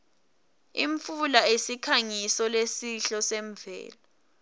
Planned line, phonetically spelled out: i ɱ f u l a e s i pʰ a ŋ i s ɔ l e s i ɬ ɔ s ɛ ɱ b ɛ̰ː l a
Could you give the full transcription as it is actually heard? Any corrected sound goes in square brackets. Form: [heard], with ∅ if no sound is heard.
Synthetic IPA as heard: i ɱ f u l a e s i [kʰ] a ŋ i s ɔ l e s i ɬ ɔ s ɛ ɱ [v] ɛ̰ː l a